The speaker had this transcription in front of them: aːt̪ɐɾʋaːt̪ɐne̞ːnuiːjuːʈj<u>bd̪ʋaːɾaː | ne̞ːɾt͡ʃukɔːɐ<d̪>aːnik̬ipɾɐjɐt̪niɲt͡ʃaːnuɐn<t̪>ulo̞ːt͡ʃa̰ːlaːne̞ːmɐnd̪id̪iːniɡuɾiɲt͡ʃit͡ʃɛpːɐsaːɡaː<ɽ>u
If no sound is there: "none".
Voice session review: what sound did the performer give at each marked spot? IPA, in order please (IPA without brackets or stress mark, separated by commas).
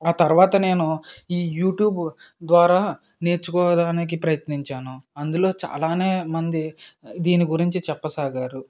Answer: uː, d̪, d̪, ɾ